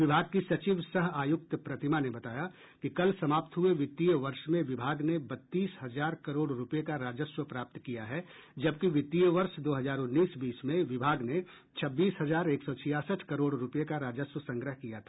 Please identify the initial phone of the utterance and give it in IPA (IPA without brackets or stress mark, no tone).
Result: ʋ